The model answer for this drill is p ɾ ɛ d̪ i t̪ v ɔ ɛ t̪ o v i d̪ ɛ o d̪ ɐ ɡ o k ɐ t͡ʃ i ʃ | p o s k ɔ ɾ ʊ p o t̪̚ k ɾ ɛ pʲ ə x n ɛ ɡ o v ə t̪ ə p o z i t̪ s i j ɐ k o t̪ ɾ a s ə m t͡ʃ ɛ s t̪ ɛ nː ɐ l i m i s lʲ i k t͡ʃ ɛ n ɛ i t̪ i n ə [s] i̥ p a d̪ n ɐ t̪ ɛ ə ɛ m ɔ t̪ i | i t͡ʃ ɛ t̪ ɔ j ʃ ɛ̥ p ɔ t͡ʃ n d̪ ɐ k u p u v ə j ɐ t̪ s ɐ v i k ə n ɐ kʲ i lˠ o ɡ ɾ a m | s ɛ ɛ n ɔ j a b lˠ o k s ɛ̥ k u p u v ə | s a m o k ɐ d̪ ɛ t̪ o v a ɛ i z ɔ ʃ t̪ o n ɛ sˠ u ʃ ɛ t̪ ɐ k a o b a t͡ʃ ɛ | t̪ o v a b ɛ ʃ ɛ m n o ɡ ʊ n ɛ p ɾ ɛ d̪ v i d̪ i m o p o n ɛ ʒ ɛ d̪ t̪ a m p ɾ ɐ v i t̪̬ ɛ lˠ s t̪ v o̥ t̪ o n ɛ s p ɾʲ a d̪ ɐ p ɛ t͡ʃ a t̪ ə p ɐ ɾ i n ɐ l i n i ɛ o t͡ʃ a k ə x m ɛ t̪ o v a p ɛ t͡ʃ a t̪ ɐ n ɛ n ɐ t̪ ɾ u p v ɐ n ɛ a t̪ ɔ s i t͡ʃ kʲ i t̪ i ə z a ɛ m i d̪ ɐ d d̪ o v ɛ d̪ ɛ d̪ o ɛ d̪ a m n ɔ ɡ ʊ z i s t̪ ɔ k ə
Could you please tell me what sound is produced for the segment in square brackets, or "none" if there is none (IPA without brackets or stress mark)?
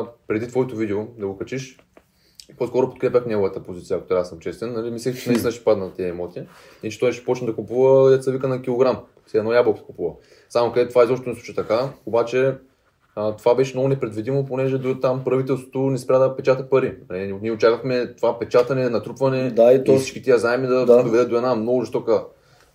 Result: ʃ